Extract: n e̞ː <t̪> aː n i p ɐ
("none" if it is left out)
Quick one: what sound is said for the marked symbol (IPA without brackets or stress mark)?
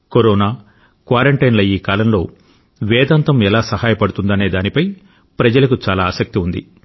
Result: d̪